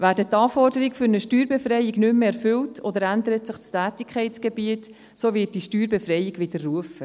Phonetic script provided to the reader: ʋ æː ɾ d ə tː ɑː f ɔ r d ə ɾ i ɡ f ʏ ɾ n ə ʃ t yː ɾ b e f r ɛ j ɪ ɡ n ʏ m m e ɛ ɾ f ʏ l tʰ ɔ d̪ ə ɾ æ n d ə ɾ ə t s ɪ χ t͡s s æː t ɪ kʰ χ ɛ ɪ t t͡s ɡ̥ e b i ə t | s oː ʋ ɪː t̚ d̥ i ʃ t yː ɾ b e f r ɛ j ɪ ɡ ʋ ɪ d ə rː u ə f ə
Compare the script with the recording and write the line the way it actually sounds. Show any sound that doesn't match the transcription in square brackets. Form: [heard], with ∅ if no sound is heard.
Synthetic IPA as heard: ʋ æː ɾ d ə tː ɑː f ɔ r d ə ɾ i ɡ f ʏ ɾ n ə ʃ t yː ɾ b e f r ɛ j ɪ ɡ n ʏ m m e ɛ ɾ f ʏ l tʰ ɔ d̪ ə ɾ æ n d ə ɾ ə t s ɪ χ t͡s [t] æː t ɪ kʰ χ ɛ ɪ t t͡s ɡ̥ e b i ə t | s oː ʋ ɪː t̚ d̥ i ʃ t yː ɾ b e f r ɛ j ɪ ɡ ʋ ɪ d ə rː u ə f ə

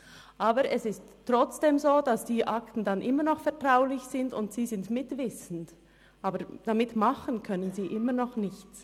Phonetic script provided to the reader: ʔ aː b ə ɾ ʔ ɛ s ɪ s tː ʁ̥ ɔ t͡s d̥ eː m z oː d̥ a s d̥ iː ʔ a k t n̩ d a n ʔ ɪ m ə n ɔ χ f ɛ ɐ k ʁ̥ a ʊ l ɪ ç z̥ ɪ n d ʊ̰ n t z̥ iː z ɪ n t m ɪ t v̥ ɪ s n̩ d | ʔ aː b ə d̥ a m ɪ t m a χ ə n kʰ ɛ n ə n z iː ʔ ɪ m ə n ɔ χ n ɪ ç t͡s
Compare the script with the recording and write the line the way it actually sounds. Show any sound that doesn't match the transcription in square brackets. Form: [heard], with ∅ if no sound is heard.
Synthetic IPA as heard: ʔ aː b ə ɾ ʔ ɛ s ɪ s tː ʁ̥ ɔ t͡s d̥ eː m z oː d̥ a s d̥ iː ʔ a k t n̩ d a n ʔ ɪ m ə n ɔ χ f ɛ ɐ [t] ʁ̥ a ʊ l ɪ ç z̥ ɪ n d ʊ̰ n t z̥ iː z ɪ n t m ɪ t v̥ ɪ s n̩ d | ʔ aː b ə d̥ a m ɪ t m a χ ə n kʰ [œ] n ə n z iː ʔ ɪ m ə n ɔ χ n ɪ ç t͡s

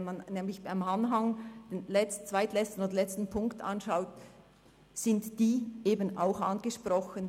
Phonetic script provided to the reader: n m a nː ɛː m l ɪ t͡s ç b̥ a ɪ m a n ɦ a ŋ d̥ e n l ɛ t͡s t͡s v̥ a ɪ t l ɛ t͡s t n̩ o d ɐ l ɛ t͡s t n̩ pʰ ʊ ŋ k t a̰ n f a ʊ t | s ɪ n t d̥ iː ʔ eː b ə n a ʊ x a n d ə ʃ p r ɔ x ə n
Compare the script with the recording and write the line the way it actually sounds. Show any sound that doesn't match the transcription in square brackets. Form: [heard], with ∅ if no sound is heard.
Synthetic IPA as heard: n m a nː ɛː m l ɪ [∅] ç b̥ a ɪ m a n ɦ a ŋ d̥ e n l ɛ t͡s t͡s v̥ a ɪ t l ɛ t͡s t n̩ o d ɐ l ɛ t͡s t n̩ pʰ ʊ ŋ k t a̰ n [ʃ] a ʊ t | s ɪ n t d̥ iː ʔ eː b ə n a ʊ x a n [ɡ] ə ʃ p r ɔ x ə n

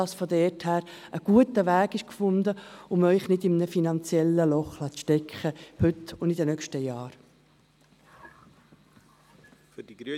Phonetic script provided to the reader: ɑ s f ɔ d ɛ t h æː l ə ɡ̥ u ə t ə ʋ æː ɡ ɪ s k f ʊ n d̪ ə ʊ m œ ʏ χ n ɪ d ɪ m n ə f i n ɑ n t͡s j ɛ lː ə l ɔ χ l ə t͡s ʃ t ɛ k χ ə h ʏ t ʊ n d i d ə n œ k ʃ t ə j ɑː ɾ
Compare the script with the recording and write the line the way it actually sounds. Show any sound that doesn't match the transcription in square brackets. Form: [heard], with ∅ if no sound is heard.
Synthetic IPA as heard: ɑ s f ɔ d ɛ t h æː [ɾ] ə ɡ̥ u ə t ə ʋ æː ɡ ɪ [ʃ] k f ʊ n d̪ ə ʊ m œ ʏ χ n ɪ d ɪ m n ə f i n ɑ n t͡s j ɛ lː ə l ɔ χ l [ɑ] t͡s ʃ t ɛ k χ ə h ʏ t ʊ n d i d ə n œ k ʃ t ə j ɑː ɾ

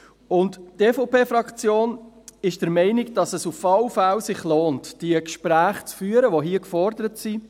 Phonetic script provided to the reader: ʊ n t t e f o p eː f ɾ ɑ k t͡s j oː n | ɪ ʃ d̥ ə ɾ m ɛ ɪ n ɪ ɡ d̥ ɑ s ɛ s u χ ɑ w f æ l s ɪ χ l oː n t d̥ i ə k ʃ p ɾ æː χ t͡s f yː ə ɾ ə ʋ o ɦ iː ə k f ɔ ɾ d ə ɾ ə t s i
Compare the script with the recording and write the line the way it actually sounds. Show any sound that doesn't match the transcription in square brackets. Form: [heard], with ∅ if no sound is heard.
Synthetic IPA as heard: ʊ n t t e f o p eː f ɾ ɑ k t͡s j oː n | ɪ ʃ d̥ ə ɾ m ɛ ɪ n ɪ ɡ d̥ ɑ s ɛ s u [f] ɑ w f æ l s ɪ χ l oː n t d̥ i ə k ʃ p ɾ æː χ t͡s f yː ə ɾ ə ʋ o ɦ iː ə k f ɔ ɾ d ə ɾ ə t s i

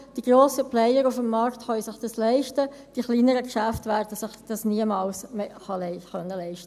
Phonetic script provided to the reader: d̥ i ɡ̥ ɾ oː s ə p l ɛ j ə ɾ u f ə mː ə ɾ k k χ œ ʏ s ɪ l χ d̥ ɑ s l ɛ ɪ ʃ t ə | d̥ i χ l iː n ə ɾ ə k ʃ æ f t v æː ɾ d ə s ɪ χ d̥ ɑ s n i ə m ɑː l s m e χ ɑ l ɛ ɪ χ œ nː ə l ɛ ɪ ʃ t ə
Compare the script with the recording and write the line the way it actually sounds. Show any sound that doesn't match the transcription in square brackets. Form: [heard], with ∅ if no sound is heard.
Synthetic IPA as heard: d̥ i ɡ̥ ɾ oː s ə p l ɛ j ə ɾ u f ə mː [ɑ] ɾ k [t] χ œ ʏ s ɪ [∅] χ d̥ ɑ s l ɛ ɪ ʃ t ə | d̥ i χ l iː n ə ɾ ə k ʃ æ f t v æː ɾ d ə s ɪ χ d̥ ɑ s n i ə m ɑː l s m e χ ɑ l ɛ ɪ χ œ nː ə l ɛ ɪ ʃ t ə

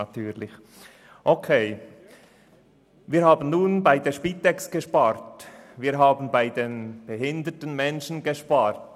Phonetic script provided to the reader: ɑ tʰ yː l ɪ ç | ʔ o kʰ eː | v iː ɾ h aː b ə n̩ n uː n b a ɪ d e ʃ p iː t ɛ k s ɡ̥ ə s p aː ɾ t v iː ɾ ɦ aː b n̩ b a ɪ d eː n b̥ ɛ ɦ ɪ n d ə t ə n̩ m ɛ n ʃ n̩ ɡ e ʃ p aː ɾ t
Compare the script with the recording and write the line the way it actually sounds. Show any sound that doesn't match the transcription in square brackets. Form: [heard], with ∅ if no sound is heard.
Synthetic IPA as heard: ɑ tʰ yː l ɪ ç | ʔ o kʰ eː | v iː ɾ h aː b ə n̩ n uː n b a ɪ d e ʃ p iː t ɛ k s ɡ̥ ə [ʃ] p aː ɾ t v iː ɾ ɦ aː b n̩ b a ɪ d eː n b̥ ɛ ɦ ɪ n d ə t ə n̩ m ɛ n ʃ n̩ ɡ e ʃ p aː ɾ t

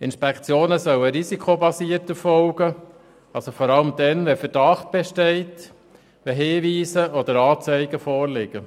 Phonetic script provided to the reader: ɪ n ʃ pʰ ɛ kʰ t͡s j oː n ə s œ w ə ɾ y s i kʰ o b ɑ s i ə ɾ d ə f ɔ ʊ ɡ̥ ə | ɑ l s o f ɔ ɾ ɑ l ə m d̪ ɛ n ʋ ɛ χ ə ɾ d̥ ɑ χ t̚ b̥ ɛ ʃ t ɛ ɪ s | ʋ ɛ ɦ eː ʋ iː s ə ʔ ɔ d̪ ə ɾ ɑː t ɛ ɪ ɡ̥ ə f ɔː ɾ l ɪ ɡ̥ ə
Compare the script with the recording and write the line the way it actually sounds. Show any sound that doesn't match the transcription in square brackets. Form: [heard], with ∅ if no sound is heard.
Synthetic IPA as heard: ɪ n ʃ [p] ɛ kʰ t͡s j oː n ə s œ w ə ɾ [i] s i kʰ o b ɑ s i ə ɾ [t] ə f ɔ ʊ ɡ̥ ə | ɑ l s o f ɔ ɾ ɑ l ə m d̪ ɛ n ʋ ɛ [f] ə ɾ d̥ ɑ χ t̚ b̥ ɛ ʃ t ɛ ɪ [t] | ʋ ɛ ɦ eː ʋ iː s ə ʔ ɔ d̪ ə ɾ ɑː [t͡s] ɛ ɪ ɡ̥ ə f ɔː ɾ l ɪ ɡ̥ ə

